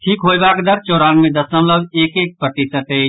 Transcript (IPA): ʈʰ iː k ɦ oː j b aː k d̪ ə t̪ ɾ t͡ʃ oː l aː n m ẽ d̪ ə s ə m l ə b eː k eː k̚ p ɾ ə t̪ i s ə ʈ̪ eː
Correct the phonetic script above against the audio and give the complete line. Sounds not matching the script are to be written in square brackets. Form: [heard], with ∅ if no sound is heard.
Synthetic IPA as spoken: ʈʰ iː k ɦ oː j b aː k d̪ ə [∅] ɾ t͡ʃ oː [ɾ] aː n m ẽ d̪ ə s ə m l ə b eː k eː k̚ p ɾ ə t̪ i s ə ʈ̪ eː